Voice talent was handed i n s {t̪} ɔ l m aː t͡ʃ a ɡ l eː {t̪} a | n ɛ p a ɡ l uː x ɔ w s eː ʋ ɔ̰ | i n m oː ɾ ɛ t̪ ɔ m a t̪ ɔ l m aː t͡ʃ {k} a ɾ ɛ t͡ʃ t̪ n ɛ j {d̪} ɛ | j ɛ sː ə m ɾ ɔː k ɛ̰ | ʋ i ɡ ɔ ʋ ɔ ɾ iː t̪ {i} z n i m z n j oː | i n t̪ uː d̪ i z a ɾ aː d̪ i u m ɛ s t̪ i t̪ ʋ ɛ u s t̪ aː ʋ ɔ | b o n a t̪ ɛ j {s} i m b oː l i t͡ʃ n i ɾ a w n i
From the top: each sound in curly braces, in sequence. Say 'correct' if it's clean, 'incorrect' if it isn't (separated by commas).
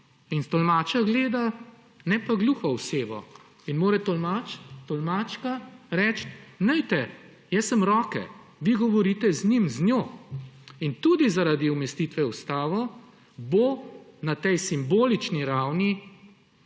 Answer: correct, incorrect, correct, incorrect, incorrect, correct